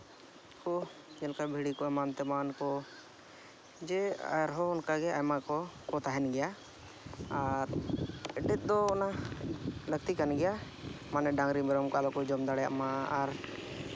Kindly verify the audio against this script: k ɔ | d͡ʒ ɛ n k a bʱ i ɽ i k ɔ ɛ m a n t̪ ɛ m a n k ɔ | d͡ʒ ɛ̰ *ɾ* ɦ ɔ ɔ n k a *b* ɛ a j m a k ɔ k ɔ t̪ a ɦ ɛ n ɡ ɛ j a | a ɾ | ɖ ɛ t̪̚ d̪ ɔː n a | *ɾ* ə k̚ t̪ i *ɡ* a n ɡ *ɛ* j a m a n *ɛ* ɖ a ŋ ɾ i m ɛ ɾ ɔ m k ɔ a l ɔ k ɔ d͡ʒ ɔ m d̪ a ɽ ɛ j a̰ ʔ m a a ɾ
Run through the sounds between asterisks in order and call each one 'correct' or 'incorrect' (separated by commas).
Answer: correct, incorrect, incorrect, incorrect, correct, correct